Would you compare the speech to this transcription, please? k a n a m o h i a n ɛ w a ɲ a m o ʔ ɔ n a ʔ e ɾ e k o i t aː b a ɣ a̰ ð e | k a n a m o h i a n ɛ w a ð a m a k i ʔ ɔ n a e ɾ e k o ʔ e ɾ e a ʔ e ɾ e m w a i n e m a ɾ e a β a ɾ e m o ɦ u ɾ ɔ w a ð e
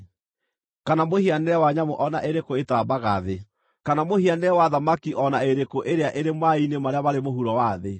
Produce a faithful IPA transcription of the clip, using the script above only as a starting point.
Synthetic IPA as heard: k a n a m o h i a n ɛ w a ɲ a m o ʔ ɔ n a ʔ e ɾ e k o e t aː b a ɣ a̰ ð e | k a n a m o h i a n ɛ w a ð a m a k i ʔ ɔ n a e ɾ e k o ʔ e ɾ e a ʔ e ɾ e m w a i n e m a ɾ e a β a ɾ e m o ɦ u ɾ ɔ w a ð e